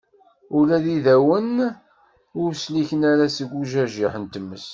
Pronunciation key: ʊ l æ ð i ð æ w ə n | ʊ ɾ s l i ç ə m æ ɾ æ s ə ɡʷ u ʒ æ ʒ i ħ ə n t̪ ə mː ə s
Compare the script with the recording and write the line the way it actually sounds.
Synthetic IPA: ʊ l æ ð i ð æ w ə n | ʊ ɾ s l i ç ə n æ ɾ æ s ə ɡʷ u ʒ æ ʒ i ħ ə n t̪ ə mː ə s